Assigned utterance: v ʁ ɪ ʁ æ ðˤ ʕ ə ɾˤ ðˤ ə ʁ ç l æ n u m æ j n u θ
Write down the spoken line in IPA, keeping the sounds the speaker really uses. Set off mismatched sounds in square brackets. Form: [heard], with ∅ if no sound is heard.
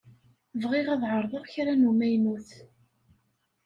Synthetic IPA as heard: v ʁ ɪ ʁ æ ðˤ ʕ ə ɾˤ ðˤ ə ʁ ç [ɾ] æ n u m æ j n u θ

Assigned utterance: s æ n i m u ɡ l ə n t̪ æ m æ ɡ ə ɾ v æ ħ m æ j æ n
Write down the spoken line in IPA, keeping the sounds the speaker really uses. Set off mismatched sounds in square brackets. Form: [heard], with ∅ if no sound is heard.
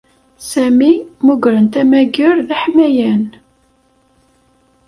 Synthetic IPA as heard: s æ [m] i m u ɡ [ɾ] ə n t̪ æ m æ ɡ ə ɾ [ð] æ ħ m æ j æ n

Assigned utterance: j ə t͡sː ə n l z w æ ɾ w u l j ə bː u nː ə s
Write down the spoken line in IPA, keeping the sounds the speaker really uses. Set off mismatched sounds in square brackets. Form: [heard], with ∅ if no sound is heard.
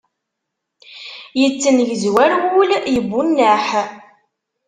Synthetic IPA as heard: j ə t͡sː ə n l z w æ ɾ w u l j ə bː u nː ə [ħ]

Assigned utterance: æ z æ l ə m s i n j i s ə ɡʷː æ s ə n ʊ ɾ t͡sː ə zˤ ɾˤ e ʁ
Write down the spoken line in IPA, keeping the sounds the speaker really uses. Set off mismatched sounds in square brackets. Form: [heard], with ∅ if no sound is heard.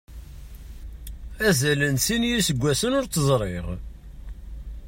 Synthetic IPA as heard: æ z æ l ə [n] s i n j i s ə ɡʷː æ s ə n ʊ ɾ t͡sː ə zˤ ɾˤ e ʁ

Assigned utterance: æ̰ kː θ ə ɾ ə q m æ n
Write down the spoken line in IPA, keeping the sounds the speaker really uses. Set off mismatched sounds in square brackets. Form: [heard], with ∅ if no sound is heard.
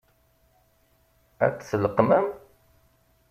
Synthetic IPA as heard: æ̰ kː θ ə [l] ə q m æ [m]

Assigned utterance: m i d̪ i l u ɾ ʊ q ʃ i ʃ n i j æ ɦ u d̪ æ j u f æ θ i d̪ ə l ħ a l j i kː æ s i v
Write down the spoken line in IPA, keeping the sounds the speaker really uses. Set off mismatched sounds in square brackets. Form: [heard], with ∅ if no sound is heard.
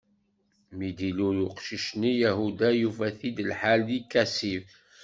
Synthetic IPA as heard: m i d̪ i l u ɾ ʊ q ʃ i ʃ n i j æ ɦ u d̪ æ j u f æ θ i d̪ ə l ħ a l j i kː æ s i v

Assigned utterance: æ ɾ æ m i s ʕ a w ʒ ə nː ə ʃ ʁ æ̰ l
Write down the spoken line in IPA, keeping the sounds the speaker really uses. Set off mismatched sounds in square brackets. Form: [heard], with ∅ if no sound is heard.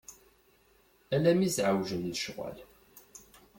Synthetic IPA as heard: æ [l] æ m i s ʕ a w ʒ ə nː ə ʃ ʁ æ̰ l

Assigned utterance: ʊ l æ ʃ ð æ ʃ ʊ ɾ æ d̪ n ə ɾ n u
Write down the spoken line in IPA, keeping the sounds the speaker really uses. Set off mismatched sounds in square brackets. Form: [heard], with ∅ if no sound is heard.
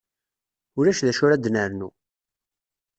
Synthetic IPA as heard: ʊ [ɾ] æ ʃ ð æ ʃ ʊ ɾ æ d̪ n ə ɾ n u

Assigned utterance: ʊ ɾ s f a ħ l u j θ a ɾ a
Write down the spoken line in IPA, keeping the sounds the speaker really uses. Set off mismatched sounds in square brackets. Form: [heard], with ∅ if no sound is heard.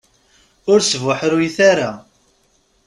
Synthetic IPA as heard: ʊ ɾ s [v] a ħ [ɾ] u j θ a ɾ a

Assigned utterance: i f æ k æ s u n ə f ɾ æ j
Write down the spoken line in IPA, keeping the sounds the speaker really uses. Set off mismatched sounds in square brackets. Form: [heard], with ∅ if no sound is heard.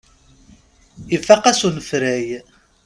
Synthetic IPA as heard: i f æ [q] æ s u n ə f ɾ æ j

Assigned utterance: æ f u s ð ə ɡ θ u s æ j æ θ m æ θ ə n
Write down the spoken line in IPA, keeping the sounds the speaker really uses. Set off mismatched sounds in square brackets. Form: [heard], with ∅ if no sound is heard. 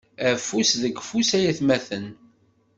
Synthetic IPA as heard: æ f u s ð ə ɡ [f] u s æ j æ θ m æ θ ə n

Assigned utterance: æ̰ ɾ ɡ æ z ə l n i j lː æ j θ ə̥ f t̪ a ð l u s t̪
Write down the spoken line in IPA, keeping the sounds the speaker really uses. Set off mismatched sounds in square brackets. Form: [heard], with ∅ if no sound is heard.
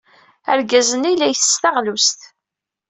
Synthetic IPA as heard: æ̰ ɾ ɡ æ z ə [∅] n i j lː æ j θ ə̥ [s] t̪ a [ʁ] l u s t̪

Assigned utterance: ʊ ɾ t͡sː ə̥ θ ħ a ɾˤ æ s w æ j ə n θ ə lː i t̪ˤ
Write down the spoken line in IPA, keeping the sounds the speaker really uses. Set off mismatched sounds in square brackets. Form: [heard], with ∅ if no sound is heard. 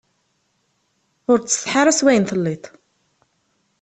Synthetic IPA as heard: ʊ ɾ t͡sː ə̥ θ ħ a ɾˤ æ s w æ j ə n θ ə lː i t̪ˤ

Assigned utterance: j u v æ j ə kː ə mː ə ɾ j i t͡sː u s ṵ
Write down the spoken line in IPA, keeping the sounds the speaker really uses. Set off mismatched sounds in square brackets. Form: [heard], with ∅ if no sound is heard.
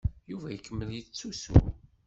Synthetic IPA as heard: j u v æ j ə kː ə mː ə [l] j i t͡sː u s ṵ

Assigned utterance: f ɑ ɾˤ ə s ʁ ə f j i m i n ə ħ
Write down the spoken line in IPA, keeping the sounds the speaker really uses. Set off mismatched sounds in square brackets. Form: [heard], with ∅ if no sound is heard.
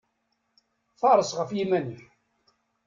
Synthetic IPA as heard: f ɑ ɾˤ ə s ʁ ə f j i m [æ] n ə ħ

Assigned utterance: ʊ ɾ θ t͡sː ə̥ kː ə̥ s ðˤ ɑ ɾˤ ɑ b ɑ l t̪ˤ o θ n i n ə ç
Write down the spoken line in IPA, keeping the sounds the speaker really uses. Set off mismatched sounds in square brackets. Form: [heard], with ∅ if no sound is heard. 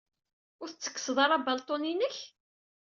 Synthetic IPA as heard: ʊ ɾ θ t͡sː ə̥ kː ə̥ s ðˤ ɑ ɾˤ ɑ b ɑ l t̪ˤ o [∅] n i n ə ç

